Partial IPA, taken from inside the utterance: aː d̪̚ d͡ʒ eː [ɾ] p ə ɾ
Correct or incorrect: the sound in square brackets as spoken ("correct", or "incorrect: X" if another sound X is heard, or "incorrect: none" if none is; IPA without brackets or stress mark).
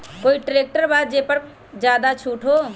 incorrect: none